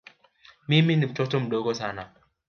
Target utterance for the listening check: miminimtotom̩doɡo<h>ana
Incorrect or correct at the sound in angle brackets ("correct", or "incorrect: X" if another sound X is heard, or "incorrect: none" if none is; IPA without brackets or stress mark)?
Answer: incorrect: s